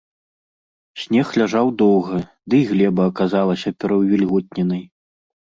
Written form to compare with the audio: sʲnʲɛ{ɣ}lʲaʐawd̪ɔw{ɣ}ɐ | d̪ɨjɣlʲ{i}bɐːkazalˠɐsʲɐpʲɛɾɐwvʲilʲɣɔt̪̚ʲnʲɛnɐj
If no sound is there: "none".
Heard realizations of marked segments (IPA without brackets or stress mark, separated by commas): x, ɣ, ɛ